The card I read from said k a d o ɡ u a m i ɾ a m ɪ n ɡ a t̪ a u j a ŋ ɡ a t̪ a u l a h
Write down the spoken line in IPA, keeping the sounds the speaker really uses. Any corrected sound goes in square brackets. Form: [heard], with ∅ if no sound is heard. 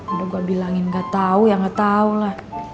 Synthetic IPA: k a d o ɡ u a [b] i [l] a [ŋ] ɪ n ɡ a t̪ a u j a ŋ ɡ a t̪ a u l a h